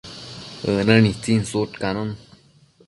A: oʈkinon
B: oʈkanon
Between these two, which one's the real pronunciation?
B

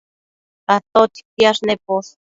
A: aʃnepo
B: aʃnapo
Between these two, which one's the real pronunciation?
A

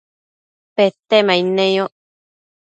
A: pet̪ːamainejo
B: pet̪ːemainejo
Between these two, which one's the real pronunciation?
B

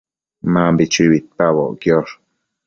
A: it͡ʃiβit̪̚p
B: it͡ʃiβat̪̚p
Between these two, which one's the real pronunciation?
A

